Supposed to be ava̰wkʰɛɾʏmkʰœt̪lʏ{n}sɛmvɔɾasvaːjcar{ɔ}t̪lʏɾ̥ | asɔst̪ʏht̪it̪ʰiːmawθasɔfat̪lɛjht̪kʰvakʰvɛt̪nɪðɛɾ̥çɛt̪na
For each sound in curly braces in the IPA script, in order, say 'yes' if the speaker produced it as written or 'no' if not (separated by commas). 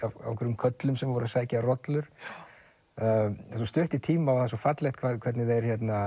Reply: no, yes